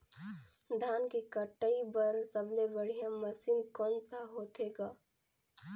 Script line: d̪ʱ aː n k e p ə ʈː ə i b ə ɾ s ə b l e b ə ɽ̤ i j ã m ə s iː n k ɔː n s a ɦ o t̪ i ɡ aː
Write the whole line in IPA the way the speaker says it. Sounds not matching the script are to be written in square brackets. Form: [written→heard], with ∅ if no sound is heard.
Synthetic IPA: d̪ʱ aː n k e [p→k] ə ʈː ə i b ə ɾ s ə b l e b ə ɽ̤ i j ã m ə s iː n k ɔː n s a ɦ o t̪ [i→e] ɡ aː